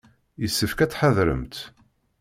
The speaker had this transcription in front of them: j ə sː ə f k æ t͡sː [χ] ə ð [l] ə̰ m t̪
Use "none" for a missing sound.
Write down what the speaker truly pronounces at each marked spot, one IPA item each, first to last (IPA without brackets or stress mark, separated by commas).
ħ, ɾ